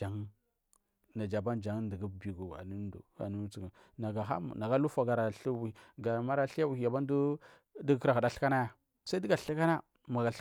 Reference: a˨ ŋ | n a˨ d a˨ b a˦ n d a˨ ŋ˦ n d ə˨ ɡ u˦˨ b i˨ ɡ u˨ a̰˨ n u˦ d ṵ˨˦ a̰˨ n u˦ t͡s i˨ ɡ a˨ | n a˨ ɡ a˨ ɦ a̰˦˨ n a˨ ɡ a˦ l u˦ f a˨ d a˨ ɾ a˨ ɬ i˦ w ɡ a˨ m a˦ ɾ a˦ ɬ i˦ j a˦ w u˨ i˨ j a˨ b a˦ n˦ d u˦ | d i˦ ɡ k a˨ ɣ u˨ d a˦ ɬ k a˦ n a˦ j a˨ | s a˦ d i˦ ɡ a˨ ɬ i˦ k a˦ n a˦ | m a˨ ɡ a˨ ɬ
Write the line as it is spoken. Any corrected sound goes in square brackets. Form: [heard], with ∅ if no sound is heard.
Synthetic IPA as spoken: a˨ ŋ | n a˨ [d͡ʒ] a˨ b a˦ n [d͡ʒ] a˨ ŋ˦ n d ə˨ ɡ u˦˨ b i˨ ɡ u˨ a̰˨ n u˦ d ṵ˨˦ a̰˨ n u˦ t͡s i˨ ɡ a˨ | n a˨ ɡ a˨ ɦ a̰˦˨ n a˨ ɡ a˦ l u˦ f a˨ [ɡ] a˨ ɾ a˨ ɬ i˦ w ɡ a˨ m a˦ ɾ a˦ ɬ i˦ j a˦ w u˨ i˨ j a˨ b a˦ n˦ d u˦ | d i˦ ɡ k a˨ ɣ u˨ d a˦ ɬ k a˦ n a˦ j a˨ | s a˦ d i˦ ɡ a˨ ɬ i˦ k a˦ n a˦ | m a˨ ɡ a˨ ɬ